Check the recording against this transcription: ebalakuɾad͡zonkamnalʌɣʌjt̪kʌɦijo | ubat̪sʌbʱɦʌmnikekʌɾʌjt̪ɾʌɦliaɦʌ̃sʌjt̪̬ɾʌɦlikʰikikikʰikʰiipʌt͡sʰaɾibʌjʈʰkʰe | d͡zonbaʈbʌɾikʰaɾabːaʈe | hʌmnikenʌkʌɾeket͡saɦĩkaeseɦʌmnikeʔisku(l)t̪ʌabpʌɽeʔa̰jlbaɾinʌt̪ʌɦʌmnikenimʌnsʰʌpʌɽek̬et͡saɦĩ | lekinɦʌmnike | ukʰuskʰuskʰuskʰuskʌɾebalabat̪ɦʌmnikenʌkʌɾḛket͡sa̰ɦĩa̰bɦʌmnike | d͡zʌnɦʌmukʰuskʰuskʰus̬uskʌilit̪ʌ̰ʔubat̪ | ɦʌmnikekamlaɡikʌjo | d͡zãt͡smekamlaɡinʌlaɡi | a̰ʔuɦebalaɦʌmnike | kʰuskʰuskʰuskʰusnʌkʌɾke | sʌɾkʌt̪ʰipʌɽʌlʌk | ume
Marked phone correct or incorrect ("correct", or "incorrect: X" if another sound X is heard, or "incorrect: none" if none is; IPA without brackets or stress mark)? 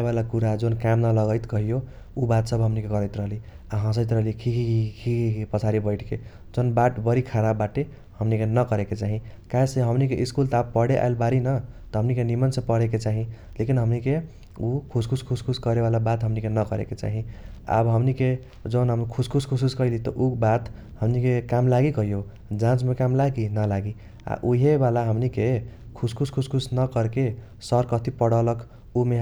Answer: correct